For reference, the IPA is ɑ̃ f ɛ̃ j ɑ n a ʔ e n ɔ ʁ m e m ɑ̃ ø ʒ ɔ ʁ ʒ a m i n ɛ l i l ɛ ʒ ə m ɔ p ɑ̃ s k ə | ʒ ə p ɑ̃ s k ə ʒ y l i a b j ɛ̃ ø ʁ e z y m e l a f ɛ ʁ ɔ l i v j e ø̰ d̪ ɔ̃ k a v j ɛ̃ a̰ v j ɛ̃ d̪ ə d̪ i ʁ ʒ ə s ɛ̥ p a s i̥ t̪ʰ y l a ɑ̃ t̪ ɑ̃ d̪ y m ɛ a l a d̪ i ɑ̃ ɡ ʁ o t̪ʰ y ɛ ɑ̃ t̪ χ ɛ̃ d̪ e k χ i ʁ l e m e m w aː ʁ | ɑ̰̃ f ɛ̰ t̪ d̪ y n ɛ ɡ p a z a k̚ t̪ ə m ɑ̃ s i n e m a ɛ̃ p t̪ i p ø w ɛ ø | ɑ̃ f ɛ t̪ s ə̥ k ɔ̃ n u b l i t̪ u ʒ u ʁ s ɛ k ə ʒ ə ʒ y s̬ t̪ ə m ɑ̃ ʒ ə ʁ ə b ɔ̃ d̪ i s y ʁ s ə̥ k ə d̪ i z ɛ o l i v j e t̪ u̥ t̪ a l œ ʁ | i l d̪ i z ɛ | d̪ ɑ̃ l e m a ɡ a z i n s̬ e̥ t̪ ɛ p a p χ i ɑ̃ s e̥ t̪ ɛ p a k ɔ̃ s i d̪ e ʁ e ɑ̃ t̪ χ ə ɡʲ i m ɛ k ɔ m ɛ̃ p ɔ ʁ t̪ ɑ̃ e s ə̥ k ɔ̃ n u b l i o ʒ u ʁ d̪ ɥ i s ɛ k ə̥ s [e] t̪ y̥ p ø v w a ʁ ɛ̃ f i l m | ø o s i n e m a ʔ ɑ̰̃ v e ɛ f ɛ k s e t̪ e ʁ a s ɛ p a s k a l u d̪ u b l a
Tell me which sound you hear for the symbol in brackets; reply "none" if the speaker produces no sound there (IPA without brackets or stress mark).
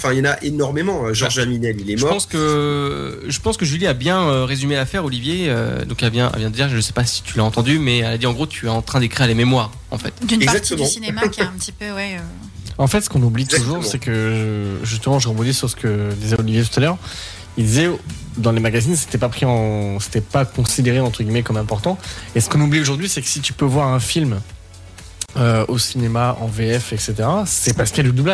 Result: i